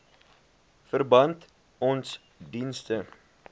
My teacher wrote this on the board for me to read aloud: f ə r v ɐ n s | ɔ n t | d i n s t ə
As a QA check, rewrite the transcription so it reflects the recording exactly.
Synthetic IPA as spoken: f ə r b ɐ n t | ɔ n s | d i n s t ə